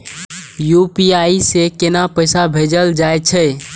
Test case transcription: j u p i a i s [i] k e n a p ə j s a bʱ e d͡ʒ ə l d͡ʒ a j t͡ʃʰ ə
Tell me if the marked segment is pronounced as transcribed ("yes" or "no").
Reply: no